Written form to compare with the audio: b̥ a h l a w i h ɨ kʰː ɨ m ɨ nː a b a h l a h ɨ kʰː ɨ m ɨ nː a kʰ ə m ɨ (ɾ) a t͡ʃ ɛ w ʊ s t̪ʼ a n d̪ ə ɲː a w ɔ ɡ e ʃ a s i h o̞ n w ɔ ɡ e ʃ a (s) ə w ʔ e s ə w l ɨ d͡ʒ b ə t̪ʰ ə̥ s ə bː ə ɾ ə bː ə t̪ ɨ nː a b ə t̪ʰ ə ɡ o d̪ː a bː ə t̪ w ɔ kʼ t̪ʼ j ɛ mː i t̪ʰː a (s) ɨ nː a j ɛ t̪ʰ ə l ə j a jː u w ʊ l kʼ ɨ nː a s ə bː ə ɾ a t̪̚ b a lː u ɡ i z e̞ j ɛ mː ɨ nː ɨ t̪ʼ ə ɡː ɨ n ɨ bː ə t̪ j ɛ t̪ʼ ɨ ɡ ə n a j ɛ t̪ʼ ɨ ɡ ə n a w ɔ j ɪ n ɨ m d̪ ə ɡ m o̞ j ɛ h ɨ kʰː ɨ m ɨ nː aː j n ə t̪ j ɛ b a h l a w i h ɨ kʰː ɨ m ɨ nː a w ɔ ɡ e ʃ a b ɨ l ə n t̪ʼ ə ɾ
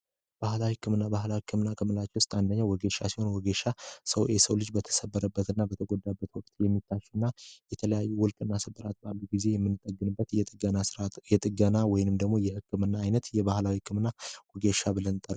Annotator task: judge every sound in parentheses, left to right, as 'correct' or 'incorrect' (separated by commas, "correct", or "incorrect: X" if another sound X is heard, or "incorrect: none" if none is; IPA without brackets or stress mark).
incorrect: l, correct, incorrect: ʃ